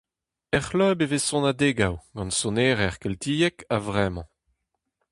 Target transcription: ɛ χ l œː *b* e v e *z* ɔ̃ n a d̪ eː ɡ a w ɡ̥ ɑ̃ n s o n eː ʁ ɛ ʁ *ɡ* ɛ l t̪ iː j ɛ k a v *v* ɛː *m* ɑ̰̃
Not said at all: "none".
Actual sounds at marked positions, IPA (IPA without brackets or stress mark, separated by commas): b, s, k, ʁ, m